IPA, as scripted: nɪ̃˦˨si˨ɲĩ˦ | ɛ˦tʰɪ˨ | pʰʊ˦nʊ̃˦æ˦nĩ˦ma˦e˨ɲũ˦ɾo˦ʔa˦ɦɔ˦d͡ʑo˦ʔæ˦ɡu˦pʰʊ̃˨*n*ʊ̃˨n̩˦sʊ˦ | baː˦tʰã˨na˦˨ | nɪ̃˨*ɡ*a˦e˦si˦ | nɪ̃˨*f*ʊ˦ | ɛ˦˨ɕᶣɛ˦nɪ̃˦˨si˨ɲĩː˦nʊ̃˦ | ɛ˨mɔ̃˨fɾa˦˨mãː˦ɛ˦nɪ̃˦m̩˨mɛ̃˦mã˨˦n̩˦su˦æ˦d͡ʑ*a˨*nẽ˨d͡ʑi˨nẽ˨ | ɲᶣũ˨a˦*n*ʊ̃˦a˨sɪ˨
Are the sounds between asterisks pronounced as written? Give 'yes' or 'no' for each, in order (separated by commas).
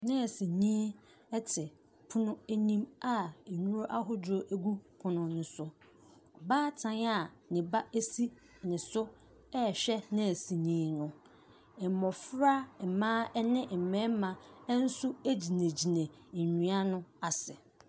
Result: yes, no, no, no, yes